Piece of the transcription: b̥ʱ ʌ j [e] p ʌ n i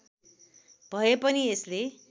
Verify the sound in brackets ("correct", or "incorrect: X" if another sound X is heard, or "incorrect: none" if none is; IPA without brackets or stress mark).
correct